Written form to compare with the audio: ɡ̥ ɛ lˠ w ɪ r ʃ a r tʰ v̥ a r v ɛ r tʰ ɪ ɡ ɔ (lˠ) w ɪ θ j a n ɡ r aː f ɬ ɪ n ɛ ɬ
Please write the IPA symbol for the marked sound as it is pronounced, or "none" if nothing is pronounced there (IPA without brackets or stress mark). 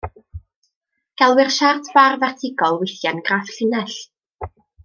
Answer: lˠ